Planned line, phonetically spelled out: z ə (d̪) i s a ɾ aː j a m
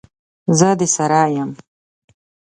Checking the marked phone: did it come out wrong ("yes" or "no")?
no